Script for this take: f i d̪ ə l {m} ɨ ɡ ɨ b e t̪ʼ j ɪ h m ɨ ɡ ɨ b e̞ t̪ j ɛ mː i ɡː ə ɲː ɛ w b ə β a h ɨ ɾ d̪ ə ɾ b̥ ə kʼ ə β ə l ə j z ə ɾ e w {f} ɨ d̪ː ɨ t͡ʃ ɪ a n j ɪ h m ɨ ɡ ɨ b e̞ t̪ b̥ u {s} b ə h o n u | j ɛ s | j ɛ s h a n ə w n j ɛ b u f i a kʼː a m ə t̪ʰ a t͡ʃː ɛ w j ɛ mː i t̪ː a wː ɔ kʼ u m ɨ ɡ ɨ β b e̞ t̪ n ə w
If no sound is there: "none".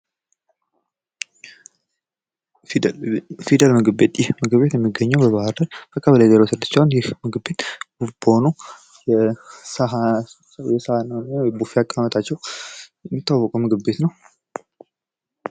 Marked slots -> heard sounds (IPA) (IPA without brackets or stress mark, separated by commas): m, s, f